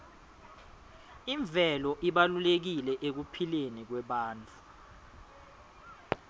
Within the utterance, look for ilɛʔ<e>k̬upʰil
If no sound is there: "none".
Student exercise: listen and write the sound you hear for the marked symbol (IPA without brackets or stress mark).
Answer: e